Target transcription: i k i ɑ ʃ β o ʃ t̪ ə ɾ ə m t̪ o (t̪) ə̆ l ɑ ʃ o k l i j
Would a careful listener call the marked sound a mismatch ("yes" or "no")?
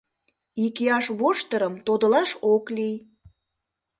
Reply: yes